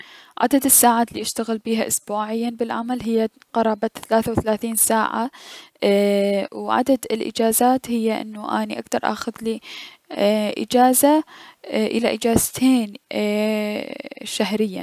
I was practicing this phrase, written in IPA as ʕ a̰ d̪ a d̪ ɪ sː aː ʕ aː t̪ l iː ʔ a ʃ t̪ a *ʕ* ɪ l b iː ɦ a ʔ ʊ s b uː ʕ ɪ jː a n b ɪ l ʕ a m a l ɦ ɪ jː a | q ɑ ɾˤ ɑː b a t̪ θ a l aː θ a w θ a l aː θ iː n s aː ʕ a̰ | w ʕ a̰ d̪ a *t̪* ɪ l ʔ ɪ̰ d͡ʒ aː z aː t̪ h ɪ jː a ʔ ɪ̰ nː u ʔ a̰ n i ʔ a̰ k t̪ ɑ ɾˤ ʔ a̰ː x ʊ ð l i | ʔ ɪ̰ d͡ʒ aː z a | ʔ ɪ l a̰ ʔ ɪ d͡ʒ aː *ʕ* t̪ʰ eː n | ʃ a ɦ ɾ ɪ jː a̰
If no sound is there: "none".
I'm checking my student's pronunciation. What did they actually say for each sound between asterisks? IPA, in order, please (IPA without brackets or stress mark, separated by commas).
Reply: ɣ, d̪, z